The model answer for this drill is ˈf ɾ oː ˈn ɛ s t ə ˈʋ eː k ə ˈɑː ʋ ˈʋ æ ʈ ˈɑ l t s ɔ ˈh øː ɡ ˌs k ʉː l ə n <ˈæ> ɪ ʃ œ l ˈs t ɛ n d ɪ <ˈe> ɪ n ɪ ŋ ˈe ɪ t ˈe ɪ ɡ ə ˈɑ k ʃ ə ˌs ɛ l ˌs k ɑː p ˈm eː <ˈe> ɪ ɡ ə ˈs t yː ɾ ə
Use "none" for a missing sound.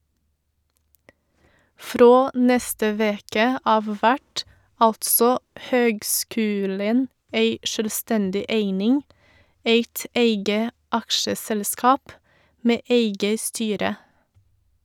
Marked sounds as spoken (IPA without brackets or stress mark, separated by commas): e, e, e